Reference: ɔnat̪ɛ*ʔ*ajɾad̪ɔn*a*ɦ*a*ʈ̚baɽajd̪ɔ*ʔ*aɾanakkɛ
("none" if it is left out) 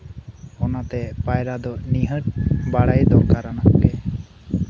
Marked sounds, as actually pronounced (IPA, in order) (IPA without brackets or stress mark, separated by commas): p, i, ə, k